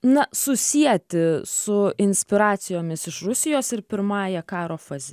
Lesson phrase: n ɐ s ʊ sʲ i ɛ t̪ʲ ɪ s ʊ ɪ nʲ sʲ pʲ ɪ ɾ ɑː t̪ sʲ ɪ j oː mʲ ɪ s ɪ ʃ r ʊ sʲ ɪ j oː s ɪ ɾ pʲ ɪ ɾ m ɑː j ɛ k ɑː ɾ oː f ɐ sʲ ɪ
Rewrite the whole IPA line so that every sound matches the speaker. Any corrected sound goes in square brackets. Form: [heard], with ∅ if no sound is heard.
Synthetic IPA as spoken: n ɐ s ʊ sʲ i ɛ t̪ʲ ɪ s ʊ ɪ nʲ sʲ pʲ ɪ ɾ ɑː t̪ sʲ ɪ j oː mʲ ɪ s ɪ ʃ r ʊ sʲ ɪ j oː s ɪ ɾ pʲ ɪ ɾ m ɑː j ɛ k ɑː ɾ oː f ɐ [zʲ] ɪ